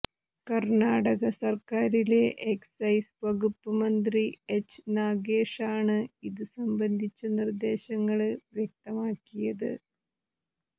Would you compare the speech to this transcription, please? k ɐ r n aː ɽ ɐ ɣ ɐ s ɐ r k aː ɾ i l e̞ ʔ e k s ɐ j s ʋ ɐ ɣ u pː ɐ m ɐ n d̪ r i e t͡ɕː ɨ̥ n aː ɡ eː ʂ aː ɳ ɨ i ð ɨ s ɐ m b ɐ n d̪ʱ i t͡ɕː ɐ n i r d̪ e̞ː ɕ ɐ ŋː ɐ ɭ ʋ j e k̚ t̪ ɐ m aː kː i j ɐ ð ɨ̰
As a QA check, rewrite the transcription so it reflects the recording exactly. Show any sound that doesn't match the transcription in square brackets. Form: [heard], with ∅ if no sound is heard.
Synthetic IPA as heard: k ɐ r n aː ɽ ɐ ɣ ɐ s ɐ r k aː ɾ i l e̞ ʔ e k s ɐ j s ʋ ɐ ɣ u pː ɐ m ɐ n d̪ r i e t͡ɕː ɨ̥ n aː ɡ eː ʂ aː ɳ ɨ i ð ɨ s ɐ m b ɐ n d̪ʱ i t͡ɕː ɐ n i r d̪ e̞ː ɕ ɐ ŋː ɐ ɭ ʋ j e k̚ t̪ ɐ m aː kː i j ɐ ð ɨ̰